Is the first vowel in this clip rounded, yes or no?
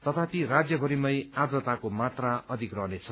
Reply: no